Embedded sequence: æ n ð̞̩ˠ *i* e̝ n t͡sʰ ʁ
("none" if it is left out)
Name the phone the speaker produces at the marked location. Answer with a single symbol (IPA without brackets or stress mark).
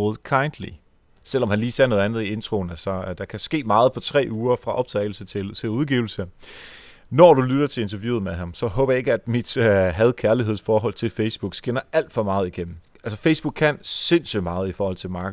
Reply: i